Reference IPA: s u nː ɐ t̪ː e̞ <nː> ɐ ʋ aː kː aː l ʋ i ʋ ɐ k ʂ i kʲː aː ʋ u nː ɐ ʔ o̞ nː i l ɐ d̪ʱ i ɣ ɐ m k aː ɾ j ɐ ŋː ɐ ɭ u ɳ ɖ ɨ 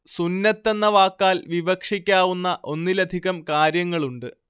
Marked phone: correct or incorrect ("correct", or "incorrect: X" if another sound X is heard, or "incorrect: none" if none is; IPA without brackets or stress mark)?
correct